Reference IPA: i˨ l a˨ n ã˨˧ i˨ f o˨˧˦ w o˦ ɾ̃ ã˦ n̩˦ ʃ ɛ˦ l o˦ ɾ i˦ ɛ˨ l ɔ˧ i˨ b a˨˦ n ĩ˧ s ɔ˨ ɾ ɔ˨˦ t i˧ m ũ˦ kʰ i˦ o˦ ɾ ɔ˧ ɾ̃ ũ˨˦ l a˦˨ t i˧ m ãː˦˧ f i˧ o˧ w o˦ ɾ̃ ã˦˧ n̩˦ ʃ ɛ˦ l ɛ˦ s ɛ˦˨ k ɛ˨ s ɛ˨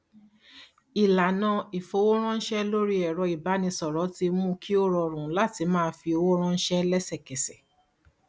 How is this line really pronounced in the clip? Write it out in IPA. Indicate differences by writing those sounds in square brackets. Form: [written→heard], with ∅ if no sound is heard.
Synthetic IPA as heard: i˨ l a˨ n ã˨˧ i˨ f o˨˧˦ w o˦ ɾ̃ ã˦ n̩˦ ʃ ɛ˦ l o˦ ɾ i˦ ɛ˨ [l→ɾ] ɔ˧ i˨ b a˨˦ n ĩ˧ s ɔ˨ ɾ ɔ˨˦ t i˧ m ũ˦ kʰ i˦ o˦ ɾ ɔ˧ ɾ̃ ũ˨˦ l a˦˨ t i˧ m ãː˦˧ f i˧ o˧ w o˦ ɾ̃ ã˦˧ n̩˦ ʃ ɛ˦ l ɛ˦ s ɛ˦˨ k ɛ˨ s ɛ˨